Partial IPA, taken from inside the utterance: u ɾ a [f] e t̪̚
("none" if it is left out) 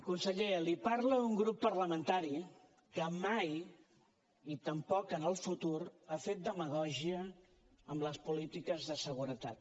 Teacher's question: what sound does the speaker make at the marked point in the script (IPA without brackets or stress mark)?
f